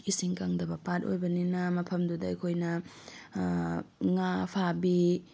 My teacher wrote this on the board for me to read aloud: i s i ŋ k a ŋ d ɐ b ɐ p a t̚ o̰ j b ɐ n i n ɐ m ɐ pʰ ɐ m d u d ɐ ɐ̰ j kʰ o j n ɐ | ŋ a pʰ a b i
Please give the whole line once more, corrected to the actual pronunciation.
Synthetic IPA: i s i ŋ k a ŋ d ɐ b ɐ p a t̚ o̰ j b ɐ n i n ɐ m ɐ pʰ ɐ m d u d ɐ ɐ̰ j kʰ o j n ɐ | ŋ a pʰ a b i